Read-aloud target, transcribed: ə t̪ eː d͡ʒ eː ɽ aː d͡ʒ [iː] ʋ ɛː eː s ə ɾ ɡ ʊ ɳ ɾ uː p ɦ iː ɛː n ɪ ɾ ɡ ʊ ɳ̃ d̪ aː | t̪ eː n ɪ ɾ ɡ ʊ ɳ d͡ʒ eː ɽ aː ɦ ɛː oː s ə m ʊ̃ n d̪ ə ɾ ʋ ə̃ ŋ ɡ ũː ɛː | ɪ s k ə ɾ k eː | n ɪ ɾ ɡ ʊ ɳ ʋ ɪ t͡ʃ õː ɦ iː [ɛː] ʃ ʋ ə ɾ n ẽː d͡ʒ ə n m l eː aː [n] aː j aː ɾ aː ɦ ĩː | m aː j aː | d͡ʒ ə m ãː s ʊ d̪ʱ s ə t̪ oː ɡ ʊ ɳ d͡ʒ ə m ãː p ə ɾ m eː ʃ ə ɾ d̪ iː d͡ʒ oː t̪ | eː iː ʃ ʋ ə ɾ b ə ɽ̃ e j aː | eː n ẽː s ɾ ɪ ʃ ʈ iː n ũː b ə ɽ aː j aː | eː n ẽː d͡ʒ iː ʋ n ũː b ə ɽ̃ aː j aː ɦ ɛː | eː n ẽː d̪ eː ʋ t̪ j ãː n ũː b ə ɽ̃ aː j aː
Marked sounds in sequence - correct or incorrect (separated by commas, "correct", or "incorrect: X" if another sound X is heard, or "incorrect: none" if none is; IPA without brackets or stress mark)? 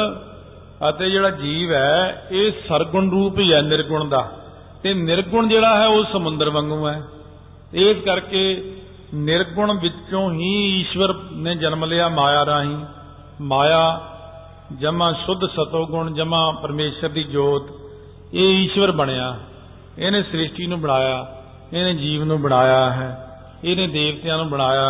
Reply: correct, incorrect: iː, incorrect: m